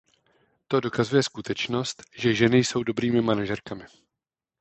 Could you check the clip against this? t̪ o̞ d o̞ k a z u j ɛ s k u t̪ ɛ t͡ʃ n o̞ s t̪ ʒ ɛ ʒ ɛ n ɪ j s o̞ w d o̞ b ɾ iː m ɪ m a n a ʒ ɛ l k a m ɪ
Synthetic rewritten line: t̪ o̞ d o̞ k a z u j ɛ s k u t̪ ɛ t͡ʃ n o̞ s t̪ ʒ ɛ ʒ ɛ n ɪ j s o̞ w d o̞ b ɾ iː m ɪ m a n a ʒ ɛ ɾ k a m ɪ